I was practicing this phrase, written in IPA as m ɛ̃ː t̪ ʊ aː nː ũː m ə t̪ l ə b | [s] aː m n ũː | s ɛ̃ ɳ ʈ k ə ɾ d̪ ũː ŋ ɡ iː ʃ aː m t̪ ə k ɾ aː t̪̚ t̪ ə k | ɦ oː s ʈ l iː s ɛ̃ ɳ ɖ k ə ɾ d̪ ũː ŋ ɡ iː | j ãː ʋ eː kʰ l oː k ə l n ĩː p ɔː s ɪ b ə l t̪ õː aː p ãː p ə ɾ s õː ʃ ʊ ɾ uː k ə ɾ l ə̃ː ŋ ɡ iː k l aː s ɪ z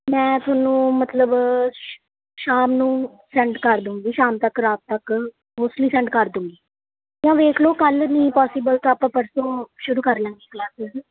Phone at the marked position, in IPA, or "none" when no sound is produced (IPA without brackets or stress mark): ʃ